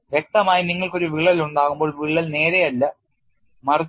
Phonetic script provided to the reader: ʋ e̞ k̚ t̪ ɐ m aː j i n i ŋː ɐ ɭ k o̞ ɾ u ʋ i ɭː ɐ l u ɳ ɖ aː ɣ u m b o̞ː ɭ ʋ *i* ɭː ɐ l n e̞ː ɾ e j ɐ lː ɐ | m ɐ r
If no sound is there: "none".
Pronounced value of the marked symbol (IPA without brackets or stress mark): i